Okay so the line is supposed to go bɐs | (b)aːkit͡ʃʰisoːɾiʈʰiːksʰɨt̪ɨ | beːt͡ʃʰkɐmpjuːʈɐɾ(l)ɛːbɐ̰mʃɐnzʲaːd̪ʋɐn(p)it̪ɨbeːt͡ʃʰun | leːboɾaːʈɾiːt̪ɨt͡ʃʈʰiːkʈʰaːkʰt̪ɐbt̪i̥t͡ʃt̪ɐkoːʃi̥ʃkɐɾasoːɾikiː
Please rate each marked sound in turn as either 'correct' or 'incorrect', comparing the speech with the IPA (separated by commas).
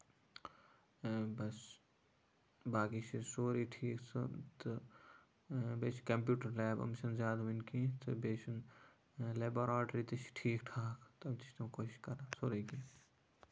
correct, correct, incorrect